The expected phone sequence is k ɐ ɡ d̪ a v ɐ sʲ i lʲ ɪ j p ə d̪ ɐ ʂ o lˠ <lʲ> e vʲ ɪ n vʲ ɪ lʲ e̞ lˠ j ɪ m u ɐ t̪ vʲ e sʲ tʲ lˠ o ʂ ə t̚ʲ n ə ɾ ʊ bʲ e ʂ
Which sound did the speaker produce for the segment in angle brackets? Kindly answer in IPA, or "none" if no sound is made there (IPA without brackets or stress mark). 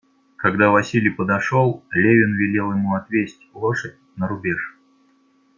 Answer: lʲ